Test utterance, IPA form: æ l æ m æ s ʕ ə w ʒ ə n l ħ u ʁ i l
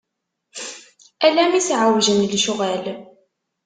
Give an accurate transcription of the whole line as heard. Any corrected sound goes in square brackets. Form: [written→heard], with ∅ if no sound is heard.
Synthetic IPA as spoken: æ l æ m [æ→i] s ʕ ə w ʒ ə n l [ħ→ʃ] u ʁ [i→æ] l